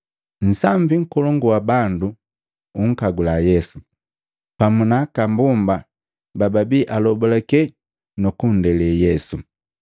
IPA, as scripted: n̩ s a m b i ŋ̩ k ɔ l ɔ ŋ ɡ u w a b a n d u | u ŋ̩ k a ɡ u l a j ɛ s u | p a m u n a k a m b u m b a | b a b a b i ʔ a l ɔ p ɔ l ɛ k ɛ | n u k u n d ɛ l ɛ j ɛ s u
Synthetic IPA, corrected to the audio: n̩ s a m b i ŋ̩ k ɔ l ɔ ŋ ɡ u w a b a n d u | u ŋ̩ k a ɡ u l a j ɛ s u | p a m u n a k a m b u m b a | b a b a b i ʔ a l ɔ b ɔ l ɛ k ɛ | n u k u n d ɛ l ɛ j ɛ s u